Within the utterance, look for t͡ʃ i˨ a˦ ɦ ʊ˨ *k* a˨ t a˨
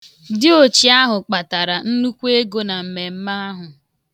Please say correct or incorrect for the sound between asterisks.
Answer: incorrect